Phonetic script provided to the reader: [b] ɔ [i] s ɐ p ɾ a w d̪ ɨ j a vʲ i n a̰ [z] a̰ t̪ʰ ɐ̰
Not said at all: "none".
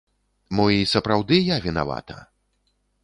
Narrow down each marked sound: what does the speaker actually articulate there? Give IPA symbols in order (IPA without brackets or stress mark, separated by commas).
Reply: m, i, v